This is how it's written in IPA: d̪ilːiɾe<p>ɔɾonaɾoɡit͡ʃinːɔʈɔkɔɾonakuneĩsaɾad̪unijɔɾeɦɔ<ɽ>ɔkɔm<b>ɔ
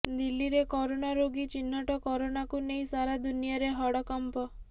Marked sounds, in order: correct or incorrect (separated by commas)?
incorrect, correct, incorrect